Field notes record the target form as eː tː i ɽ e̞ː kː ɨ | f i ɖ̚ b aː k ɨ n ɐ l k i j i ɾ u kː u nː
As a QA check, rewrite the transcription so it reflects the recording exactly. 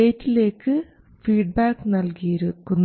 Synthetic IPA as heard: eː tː i l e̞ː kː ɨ | f iː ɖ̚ b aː k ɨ n ɐ l k i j i ɾ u kː u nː

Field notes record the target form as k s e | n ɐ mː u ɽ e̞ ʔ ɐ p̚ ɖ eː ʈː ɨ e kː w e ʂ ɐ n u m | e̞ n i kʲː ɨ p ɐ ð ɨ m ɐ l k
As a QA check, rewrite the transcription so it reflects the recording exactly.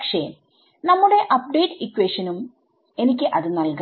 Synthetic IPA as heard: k ʂ e | n ɐ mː u ɽ e̞ ʔ ɐ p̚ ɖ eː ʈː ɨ i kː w e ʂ ɐ n u m | e̞ n i kʲː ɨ ʔ ɐ ð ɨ n ɐ l k

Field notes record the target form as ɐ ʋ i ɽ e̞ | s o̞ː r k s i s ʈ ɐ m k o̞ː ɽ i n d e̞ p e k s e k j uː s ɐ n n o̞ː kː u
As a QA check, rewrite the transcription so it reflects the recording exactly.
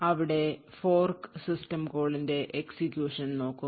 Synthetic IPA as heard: ɐ ʋ i ɽ e̞ | f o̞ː r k s i s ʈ ɐ m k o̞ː ɭ i n d e̞ ʔ e k s i k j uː ʂ ɐ n n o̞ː kː u

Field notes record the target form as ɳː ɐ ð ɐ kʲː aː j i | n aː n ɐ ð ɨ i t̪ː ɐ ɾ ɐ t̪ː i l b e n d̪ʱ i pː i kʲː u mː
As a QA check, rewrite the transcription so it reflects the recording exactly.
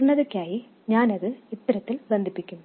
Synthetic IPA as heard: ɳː ɐ ð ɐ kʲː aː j i | ɲ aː n ɐ ð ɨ i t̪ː ɐ ɾ ɐ t̪ː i l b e n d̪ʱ i pː i kʲː u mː

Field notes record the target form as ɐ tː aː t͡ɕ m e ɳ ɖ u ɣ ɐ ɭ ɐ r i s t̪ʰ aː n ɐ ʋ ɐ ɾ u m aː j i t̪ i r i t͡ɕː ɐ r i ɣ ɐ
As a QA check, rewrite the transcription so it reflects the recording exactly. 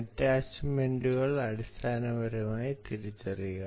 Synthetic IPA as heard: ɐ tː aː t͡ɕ m e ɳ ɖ u ɣ ɐ ɭ ɐ ɽ i s t̪ʰ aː n ɐ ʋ ɐ ɾ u m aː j i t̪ i ɾ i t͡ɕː ɐ r i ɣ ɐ

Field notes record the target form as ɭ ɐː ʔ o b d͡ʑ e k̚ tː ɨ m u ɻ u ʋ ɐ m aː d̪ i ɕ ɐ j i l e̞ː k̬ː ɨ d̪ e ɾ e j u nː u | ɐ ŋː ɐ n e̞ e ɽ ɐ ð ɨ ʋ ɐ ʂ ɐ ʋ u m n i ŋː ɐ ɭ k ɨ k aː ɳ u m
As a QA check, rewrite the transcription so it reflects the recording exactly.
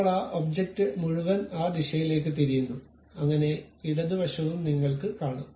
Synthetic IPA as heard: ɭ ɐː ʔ o b d͡ʑ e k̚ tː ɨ m u ɻ u ʋ ɐ n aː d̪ i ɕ ɐ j i l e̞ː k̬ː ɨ t̪ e ɾ i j u nː u | ɐ ŋː ɐ n e̞ i ɽ ɐ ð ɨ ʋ ɐ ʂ ɐ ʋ u m n i ŋː ɐ ɭ k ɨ k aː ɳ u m

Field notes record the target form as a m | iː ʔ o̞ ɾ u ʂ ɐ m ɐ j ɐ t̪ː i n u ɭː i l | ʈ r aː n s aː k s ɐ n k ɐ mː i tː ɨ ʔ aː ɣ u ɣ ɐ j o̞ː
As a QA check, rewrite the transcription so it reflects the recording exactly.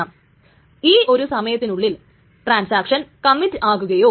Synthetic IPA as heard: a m | iː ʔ o̞ ɾ u s ɐ m ɐ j ɐ t̪ː i n u ɭː i l | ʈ r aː n s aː k ʂ ɐ n k ɐ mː i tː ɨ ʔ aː ɣ u ɣ ɐ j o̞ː

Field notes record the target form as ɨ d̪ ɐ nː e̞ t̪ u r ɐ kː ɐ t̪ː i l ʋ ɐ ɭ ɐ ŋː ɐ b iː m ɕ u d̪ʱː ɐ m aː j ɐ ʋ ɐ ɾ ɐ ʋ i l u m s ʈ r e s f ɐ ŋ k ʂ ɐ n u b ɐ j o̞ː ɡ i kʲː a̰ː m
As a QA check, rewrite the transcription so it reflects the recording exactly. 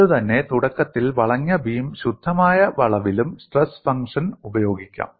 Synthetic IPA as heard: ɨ t̪ ɐ nː e̞ t̪ u ɽ ɐ kː ɐ t̪ː i l ʋ ɐ ɭ ɐ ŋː ɐ b iː m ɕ u d̪ʱː ɐ m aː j ɐ ʋ ɐ ɭ ɐ ʋ i l u m s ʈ r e s f ɐ ŋ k ʂ ɐ n u b ɐ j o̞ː ɡ i kʲː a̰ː m

